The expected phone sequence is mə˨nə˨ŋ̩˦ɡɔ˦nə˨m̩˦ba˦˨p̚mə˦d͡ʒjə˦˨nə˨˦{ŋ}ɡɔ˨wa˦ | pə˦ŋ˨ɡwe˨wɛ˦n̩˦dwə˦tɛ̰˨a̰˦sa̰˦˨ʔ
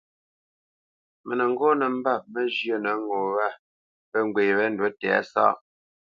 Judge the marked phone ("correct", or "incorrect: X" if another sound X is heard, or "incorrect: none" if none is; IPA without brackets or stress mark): correct